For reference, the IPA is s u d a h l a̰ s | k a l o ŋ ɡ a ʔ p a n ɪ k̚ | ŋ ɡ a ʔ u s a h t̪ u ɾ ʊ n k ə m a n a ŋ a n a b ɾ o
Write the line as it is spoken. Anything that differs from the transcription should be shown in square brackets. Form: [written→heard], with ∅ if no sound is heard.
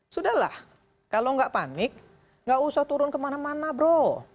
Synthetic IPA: s u d a h l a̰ [s→h] | k a l o ŋ ɡ a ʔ p a n ɪ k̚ | ŋ ɡ a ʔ u s a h t̪ u ɾ ʊ n k ə m a n a [ŋ→m] a n a b ɾ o